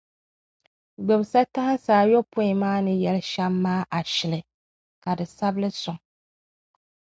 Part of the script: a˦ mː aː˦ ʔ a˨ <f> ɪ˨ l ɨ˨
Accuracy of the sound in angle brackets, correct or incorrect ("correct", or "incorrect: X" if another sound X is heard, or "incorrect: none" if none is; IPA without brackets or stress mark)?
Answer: incorrect: ʃ